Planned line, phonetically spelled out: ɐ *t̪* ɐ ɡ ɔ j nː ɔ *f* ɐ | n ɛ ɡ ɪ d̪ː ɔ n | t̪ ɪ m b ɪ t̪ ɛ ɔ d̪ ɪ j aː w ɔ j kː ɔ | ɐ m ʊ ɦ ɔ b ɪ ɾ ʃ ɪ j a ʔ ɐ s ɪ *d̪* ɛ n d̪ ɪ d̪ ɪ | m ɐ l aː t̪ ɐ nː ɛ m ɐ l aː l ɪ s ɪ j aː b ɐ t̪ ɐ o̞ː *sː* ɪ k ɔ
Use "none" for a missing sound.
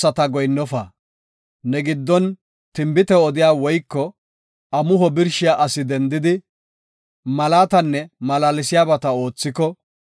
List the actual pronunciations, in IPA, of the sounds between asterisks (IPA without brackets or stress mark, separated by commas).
t̪, f, d̪, t͡sː